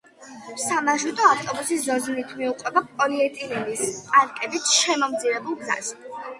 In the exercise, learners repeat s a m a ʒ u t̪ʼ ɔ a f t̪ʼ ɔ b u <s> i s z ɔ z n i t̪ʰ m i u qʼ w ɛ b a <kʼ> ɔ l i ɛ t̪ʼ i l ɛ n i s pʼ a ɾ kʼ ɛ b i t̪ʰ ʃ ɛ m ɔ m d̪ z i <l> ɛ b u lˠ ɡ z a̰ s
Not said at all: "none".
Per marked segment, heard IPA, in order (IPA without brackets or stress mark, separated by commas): s, pʼ, ɾ